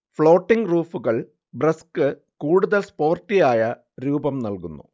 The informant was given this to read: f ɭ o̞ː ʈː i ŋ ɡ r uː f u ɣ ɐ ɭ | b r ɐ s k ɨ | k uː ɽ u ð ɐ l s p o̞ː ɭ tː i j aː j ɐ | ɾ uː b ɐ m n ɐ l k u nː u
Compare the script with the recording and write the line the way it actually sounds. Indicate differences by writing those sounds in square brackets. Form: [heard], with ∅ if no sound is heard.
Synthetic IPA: f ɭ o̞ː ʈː i ŋ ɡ r uː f u ɣ ɐ ɭ | b r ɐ s k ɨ | k uː ɽ u ð ɐ l s p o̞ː [r] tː i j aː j ɐ | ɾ uː b ɐ m n ɐ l k u nː u